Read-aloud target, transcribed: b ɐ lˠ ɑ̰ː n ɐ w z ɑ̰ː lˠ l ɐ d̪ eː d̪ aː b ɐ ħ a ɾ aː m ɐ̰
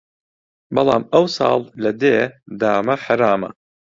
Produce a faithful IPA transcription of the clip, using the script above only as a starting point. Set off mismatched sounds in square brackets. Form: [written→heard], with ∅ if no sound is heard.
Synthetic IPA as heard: b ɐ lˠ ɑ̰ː [n→m] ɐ w [z→s] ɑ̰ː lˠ l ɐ d̪ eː d̪ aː [b→m] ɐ ħ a ɾ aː m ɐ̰